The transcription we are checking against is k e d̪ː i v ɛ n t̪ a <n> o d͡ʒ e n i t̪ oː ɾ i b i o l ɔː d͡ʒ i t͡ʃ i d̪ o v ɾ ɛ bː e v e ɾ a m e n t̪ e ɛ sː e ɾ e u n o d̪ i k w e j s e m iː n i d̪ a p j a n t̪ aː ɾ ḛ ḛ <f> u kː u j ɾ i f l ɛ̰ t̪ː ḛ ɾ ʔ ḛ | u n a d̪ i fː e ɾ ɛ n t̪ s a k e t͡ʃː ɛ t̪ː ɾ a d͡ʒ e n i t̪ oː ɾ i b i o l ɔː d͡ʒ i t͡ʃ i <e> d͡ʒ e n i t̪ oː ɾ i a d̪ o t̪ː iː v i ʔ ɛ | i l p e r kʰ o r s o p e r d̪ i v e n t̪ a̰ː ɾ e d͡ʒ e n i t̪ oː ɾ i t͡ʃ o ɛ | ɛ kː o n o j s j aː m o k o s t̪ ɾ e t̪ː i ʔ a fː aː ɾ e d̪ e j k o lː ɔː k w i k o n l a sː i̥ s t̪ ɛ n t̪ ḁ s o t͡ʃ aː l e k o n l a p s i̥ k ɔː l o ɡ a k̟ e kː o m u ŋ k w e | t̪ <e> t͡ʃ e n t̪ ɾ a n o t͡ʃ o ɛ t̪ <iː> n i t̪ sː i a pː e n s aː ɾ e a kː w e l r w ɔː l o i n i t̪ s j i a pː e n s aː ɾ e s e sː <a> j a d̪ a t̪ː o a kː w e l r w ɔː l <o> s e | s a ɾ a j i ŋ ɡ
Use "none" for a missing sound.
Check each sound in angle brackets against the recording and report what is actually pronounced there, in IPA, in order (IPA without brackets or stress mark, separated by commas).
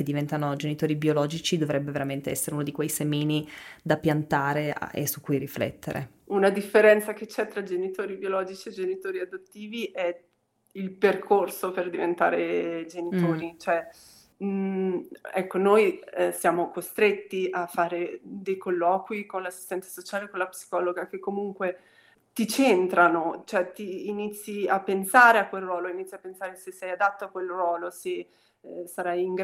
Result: n, s, e, i, iː, ɛ, o